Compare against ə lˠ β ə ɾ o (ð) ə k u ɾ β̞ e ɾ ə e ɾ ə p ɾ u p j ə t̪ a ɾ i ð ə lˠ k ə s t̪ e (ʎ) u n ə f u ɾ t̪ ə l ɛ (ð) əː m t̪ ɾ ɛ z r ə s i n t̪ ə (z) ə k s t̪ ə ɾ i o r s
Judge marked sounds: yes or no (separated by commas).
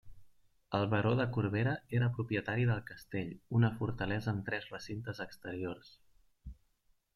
yes, yes, no, yes